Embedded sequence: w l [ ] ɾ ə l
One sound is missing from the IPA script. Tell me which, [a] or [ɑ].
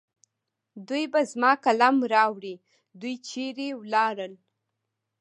ɑ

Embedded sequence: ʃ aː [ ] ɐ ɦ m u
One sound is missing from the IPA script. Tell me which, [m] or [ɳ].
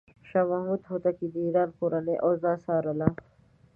m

